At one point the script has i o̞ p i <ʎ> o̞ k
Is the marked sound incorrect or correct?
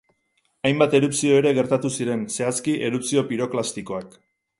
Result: incorrect